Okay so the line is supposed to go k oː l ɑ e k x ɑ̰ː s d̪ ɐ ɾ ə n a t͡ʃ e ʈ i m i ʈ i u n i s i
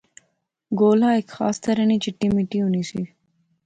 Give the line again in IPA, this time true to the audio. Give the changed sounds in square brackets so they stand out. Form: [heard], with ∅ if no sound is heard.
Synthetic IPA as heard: [ɡ] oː l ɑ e k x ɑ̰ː s [t̪] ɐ ɾ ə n [i] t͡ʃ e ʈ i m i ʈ i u n i s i